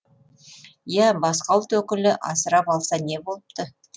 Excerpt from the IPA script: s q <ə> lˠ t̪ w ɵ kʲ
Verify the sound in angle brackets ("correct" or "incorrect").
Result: incorrect